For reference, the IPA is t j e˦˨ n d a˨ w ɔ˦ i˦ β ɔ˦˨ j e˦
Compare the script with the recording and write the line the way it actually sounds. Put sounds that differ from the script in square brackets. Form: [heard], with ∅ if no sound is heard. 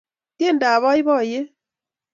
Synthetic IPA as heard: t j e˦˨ n d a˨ [β] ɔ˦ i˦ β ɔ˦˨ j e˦